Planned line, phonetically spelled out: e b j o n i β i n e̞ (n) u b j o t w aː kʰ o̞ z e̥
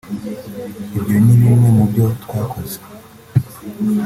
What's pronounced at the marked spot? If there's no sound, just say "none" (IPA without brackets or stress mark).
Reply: m